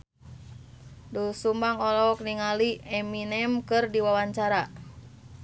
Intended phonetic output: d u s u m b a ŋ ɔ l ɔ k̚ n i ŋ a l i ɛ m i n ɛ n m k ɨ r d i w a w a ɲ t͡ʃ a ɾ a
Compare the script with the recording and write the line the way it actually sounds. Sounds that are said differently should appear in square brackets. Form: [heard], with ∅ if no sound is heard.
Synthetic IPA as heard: d u s u m b a ŋ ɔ l ɔ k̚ n i ŋ a l i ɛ m i n ɛ [∅] m k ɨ r d i w a w a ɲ t͡ʃ a ɾ a